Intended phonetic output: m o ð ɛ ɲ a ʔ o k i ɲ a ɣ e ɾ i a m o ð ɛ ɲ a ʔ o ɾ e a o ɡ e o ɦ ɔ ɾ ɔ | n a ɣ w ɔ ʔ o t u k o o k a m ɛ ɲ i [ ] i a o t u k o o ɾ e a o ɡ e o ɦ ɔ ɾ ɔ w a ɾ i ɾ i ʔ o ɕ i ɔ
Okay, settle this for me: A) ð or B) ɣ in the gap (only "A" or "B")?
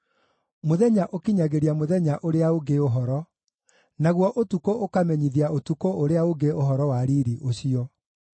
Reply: A